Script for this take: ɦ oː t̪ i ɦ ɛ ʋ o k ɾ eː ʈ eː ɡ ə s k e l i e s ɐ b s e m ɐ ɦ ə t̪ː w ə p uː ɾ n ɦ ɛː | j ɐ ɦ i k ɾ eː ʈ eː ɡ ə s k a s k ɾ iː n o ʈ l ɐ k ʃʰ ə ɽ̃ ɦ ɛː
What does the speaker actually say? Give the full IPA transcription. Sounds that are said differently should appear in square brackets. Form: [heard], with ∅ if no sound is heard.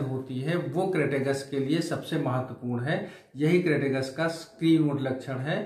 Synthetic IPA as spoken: ɦ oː t̪ i ɦ ɛ ʋ o k ɾ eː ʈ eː ɡ ə s k e l i e s ɐ b s e m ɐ ɦ ə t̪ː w ə p uː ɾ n ɦ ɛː | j ɐ ɦ i k ɾ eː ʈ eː ɡ ə s k a s k ɾ iː n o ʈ l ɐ k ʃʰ ə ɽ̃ ɦ ɛː